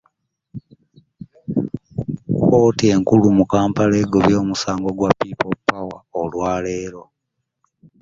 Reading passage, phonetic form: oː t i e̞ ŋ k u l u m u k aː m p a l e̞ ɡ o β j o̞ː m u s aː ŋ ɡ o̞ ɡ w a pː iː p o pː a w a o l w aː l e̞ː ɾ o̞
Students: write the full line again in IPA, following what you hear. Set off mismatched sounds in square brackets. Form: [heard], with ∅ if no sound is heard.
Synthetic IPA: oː t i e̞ ŋ k u l u m u k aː m p a l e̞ ɡ o β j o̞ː m u s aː ŋ ɡ o̞ ɡ w a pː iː p o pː a w a o l w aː l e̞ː ɾ o̞